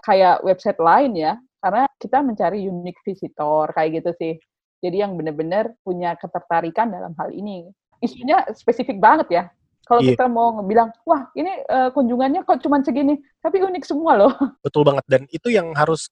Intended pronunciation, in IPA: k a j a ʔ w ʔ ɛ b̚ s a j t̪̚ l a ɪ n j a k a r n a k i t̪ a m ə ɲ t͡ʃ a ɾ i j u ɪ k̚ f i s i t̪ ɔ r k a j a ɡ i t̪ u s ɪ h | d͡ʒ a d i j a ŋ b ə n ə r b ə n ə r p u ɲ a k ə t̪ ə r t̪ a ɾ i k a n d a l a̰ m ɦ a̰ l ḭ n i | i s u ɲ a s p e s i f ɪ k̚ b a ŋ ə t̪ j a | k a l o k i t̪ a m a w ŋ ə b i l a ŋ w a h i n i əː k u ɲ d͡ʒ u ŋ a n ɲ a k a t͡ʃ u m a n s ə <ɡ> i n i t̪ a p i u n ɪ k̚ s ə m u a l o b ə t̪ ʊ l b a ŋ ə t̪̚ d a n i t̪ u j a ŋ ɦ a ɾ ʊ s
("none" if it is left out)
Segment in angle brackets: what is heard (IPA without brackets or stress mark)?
ɡ